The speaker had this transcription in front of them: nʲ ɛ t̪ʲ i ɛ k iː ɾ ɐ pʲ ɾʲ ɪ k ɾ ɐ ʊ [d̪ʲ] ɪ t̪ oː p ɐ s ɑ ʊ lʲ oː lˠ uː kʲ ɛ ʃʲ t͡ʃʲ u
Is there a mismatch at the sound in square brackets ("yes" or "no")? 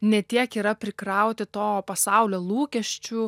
yes